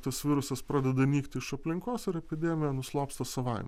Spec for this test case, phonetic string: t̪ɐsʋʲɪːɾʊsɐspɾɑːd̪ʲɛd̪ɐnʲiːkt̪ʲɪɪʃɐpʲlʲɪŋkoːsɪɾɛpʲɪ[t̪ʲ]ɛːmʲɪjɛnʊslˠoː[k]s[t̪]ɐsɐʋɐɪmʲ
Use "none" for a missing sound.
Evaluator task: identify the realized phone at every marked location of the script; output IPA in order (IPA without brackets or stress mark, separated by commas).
d̪ʲ, p, t̪